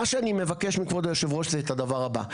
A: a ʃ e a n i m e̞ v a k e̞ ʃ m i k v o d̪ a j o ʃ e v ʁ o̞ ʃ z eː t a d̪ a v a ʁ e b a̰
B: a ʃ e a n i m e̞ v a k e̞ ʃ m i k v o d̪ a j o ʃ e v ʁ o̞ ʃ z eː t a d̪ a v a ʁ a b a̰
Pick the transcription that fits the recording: B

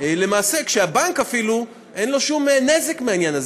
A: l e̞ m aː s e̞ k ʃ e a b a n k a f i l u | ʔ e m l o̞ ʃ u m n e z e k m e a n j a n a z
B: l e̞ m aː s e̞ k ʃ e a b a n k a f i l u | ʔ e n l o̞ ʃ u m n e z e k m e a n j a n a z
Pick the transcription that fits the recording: B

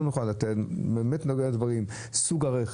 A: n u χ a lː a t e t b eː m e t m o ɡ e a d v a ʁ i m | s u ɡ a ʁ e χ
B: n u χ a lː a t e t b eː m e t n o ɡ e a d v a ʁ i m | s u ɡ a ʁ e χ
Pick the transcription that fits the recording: B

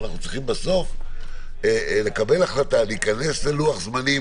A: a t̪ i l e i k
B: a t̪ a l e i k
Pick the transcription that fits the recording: B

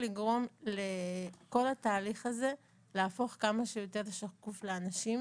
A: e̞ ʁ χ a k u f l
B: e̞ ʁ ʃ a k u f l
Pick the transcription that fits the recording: B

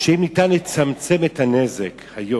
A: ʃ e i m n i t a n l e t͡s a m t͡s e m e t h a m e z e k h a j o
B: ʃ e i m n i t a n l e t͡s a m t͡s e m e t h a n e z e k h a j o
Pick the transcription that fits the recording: B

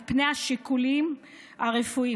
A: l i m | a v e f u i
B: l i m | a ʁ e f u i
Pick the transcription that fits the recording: B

